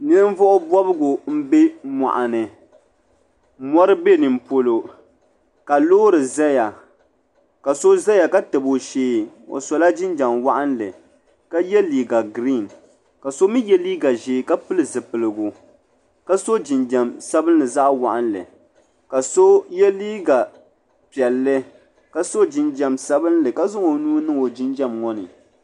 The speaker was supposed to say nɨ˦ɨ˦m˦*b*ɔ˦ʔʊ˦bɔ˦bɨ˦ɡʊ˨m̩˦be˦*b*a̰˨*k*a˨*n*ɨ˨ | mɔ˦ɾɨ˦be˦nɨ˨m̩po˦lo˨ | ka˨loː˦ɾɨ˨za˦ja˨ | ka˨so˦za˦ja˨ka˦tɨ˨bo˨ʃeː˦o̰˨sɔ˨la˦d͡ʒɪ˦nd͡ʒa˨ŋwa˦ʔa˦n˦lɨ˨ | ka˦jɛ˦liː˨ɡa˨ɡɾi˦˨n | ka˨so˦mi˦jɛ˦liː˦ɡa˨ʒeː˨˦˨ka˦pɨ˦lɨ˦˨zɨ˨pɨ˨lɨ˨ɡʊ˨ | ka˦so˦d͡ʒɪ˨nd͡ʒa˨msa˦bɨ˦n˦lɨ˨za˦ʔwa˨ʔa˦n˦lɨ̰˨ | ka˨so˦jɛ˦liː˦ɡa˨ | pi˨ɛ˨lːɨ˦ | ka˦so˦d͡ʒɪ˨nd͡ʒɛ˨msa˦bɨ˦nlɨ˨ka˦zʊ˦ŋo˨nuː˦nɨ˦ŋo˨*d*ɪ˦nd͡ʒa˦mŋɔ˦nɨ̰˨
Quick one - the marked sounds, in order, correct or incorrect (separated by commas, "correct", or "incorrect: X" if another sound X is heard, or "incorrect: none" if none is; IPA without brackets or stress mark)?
incorrect: v, incorrect: m, incorrect: ʔ, correct, incorrect: d͡ʒ